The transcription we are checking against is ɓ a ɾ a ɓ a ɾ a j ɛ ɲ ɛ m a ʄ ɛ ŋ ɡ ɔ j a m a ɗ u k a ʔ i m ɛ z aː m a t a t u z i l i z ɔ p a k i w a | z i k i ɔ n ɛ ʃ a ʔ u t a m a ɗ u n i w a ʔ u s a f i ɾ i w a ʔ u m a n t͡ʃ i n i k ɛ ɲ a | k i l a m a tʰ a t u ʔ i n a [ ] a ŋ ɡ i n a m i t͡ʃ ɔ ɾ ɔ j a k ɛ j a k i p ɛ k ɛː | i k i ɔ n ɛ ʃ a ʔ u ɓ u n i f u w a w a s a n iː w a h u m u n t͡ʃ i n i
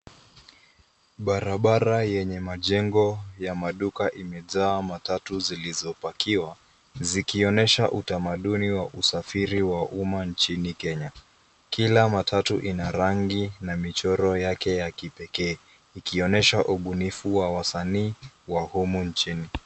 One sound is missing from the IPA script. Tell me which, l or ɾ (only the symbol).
ɾ